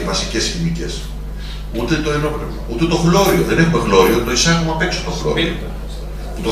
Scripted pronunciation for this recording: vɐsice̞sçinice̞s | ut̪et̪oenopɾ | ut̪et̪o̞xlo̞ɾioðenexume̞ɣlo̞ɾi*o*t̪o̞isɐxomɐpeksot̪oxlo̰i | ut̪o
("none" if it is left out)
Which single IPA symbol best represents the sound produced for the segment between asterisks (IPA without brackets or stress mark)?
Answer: o